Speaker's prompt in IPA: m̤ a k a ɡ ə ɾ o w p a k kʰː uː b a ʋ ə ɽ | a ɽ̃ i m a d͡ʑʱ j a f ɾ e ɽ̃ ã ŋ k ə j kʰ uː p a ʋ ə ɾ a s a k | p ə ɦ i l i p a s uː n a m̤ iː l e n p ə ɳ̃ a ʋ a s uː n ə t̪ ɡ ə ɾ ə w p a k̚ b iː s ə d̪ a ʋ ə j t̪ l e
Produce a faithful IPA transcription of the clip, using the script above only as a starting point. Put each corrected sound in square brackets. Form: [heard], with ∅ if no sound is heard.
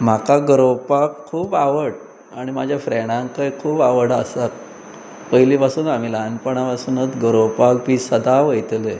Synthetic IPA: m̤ a k a ɡ ə ɾ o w p a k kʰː uː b a ʋ ə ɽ | a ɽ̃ i m a d͡ʑʱ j a f ɾ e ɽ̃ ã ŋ k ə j kʰ uː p a ʋ ə [ɽ] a s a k | p ə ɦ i l i p a s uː n a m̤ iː l [a] n p ə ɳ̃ a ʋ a s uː n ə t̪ ɡ ə ɾ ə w p a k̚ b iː s ə d̪ a ʋ ə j t̪ l e